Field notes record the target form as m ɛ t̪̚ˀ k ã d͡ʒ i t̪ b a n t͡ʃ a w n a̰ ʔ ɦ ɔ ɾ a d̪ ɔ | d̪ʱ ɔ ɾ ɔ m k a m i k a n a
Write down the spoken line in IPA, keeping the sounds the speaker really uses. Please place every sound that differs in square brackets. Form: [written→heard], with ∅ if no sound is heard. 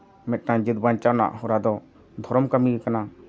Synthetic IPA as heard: m ɛ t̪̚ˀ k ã d͡ʒ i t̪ b a n t͡ʃ a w n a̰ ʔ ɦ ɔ ɾ a d̪ ɔ | d̪ʱ ɔ ɾ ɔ m k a m i k a n a